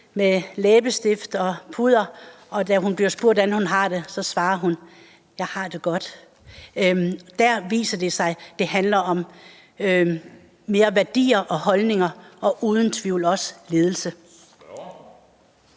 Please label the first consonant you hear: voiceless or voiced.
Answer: voiced